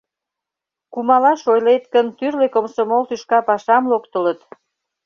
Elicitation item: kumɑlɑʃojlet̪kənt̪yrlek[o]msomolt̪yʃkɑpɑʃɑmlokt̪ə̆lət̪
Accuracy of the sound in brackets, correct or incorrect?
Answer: correct